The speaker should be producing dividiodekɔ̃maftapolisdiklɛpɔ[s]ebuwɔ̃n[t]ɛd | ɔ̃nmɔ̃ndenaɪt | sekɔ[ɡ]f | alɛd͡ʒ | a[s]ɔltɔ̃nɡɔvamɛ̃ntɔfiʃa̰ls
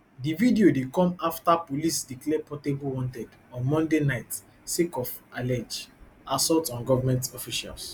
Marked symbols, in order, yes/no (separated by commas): no, yes, no, yes